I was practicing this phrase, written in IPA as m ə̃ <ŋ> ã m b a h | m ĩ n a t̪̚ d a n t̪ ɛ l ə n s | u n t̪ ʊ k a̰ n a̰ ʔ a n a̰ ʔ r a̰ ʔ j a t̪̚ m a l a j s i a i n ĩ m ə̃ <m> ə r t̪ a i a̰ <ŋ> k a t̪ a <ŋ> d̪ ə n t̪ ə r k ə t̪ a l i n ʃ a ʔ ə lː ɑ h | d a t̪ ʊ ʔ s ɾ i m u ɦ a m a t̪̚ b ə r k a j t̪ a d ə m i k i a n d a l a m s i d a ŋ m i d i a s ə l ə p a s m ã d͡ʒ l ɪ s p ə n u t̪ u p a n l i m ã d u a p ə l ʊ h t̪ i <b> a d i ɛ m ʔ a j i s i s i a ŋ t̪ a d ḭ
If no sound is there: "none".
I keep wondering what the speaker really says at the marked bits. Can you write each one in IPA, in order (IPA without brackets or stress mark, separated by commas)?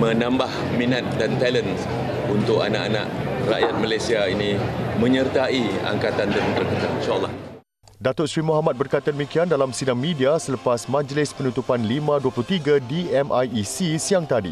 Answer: n, ɲ, ŋ, n, ɡ